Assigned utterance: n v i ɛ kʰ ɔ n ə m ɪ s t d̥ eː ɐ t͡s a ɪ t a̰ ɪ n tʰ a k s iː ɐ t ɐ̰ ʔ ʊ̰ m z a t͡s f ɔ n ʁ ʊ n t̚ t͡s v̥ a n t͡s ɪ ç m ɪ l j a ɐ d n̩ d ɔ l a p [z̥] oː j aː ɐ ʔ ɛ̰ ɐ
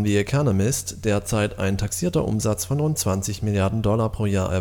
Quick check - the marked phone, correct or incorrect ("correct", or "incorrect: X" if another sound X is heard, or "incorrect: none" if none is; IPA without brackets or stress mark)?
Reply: incorrect: ʁ̥